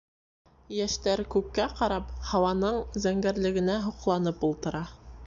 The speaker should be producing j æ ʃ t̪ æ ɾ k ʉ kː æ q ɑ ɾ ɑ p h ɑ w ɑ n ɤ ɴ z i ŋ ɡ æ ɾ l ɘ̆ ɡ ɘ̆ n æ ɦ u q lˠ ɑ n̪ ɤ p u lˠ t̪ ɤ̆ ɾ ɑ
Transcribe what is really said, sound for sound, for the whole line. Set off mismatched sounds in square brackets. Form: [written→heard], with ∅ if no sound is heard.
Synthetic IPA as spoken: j æ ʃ t̪ æ ɾ k ʉ kː æ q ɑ ɾ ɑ p h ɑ w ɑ n ɤ ɴ z [i→æ] ŋ ɡ æ ɾ l ɘ̆ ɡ ɘ̆ n æ ɦ u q lˠ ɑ n̪ ɤ p u lˠ t̪ ɤ̆ ɾ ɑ